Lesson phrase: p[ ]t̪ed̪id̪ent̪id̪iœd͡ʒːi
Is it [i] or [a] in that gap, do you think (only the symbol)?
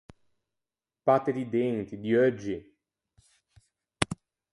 a